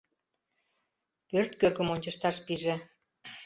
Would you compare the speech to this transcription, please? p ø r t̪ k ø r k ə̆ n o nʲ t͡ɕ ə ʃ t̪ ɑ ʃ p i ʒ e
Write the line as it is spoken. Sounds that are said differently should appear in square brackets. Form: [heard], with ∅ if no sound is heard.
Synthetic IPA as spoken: p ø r t̪ k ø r k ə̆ [m] o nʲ t͡ɕ ə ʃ t̪ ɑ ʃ p i ʒ e